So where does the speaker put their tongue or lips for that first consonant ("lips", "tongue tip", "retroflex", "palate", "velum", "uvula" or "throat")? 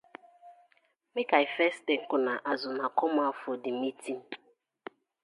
lips